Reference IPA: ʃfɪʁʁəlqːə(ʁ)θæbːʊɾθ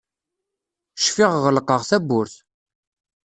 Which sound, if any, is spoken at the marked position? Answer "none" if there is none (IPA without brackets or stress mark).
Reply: ʁ